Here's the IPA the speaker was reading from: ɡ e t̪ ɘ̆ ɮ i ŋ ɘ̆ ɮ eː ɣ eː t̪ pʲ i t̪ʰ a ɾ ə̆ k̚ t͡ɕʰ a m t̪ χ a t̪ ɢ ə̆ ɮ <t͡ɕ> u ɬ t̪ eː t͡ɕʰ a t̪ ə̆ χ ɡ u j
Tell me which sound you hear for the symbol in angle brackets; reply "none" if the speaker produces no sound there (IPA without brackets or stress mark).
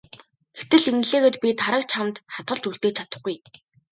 t͡ɕ